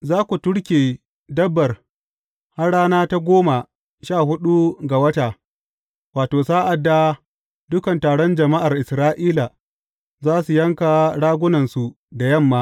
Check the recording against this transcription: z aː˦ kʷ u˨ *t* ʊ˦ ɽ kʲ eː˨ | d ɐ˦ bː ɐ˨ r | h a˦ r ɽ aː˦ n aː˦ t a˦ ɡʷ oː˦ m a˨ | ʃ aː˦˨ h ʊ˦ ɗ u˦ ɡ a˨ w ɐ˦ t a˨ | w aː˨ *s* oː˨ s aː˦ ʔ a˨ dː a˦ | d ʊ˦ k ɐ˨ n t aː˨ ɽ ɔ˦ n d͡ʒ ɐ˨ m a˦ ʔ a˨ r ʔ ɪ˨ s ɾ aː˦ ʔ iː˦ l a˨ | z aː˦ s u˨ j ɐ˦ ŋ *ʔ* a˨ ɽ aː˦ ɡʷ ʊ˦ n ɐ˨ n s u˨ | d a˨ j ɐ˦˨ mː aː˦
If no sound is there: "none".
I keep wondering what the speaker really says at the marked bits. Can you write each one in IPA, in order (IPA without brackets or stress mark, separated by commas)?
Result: t, t, k